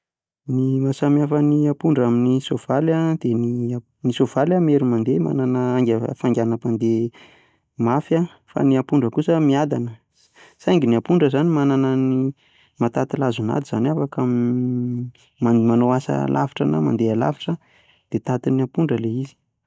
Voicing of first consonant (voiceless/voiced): voiced